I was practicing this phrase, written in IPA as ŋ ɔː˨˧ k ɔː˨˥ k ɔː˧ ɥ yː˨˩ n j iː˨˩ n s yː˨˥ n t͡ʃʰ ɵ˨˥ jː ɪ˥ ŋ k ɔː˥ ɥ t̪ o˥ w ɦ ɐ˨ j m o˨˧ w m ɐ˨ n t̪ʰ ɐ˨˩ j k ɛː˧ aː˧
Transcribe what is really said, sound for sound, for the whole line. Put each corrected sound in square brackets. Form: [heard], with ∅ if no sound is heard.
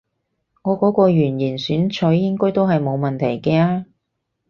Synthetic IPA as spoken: ŋ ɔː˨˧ k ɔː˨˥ k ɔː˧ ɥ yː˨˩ n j iː˨˩ n s yː˨˥ n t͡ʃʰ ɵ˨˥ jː ɪ˥ ŋ k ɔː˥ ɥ t̪ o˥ w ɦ ɐ˨ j m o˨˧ w m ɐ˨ n t̪ʰ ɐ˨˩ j k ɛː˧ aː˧